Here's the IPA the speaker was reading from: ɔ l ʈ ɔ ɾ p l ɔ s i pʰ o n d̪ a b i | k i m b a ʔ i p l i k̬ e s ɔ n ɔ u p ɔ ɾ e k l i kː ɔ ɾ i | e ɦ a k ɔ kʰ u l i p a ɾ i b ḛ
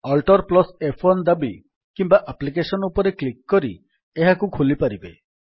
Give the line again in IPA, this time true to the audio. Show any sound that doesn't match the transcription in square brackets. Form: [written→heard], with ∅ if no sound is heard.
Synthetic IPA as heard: ɔ l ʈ ɔ ɾ p l ɔ s [i→e] pʰ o n d̪ a b i | k i m b a ʔ [i→a] p l i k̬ e s ɔ n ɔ u p ɔ ɾ e k l i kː ɔ ɾ i | e ɦ a k [ɔ→u] kʰ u l i p a ɾ i b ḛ